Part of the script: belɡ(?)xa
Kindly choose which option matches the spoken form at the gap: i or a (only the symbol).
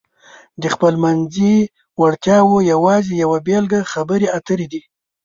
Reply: a